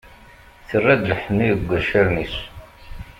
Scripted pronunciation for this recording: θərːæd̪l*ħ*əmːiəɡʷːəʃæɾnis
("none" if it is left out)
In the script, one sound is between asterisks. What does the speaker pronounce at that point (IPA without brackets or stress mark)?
ħ